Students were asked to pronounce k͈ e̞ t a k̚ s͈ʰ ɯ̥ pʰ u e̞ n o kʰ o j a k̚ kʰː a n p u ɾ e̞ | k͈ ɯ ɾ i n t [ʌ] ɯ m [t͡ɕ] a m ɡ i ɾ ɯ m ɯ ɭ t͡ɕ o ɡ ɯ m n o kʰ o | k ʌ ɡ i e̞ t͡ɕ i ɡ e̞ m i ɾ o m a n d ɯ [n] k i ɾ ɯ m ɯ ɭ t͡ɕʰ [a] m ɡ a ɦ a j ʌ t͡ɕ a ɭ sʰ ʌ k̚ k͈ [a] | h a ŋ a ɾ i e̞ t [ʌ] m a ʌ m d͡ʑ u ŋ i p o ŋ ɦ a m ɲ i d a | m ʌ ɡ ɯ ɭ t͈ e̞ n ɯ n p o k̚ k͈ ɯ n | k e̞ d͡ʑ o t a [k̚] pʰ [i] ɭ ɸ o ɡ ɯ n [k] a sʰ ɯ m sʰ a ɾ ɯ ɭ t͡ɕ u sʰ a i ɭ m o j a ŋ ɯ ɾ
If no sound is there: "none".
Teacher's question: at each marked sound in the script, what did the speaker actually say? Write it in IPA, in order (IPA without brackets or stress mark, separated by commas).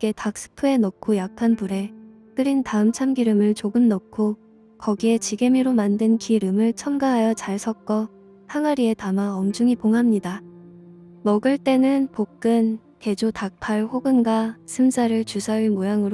a, t͡ɕʰ, n, ʌ, ʌ, a, k̚, a, ɡ